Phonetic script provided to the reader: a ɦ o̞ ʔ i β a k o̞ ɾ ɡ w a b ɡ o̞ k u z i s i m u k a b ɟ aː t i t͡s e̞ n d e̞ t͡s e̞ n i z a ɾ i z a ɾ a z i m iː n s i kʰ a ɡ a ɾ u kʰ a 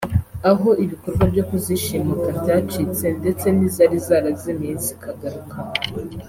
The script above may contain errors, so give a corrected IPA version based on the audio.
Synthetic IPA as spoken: a ɦ o̞ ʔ i β i k o̞ ɾ ɡ w a b ɟ o̞ k u z i ʃ i m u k a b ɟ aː t͡ʃ i t͡s e̞ n d e̞ t͡s e̞ n i z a ɾ i z a ɾ a z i m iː n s i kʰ a ɡ a ɾ u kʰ a